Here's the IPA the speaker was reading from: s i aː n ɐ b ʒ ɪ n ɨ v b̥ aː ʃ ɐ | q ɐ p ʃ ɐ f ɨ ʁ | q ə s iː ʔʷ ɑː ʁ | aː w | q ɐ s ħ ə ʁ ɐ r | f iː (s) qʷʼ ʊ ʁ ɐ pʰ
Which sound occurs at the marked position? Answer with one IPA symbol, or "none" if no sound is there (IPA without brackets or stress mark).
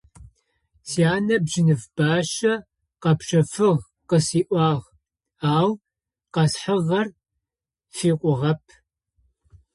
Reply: none